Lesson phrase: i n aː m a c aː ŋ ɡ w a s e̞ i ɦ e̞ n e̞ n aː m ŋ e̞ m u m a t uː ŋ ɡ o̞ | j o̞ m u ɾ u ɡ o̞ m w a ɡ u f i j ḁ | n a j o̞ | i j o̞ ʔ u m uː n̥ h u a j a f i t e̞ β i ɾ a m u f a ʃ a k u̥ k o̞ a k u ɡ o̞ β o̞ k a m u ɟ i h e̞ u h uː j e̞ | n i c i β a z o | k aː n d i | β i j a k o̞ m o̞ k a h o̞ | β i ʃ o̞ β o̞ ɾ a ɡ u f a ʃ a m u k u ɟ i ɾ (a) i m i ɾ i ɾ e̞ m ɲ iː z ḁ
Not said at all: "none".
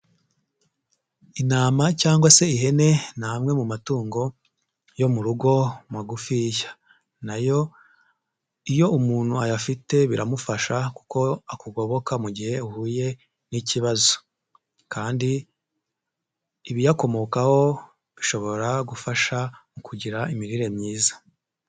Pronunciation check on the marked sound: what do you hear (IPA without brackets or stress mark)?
a